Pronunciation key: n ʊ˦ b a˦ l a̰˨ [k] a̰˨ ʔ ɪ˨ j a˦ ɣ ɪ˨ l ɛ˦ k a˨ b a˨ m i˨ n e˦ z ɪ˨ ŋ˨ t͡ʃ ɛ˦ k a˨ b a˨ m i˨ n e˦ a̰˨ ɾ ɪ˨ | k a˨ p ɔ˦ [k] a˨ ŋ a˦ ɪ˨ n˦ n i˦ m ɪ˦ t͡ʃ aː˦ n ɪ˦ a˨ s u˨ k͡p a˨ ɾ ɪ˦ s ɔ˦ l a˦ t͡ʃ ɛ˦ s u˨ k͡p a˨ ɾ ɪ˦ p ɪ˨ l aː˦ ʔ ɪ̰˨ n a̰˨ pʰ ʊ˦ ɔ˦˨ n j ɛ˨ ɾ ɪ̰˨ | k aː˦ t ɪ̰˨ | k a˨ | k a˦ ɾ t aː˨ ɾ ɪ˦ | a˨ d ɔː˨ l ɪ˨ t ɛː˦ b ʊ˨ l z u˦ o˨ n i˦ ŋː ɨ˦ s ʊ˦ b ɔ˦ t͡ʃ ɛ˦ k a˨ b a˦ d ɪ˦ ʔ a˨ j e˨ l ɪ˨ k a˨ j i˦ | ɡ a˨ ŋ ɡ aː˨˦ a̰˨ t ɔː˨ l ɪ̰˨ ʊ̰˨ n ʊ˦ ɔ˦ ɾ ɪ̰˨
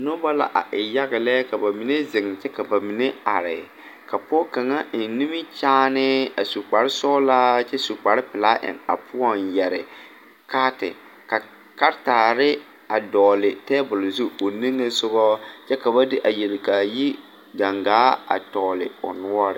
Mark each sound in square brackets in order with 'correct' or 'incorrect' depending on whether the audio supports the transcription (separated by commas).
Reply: incorrect, correct